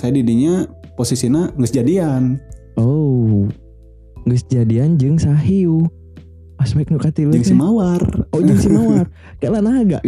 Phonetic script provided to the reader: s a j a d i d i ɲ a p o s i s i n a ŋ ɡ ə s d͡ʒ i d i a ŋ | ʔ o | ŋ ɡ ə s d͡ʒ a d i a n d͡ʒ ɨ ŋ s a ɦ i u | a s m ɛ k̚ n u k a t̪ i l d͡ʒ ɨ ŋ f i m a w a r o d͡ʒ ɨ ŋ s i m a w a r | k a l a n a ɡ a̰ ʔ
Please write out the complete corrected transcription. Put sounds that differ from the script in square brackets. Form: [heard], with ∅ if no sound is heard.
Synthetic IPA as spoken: s a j a d i d i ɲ a p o s i s i n a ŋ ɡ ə s d͡ʒ [a] d i a [n] | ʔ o | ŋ ɡ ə s d͡ʒ a d i a n d͡ʒ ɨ ŋ s a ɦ i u | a s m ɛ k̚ n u k a t̪ i l d͡ʒ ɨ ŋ [s] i m a w a r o d͡ʒ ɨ ŋ s i m a w a r | k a l a n a ɡ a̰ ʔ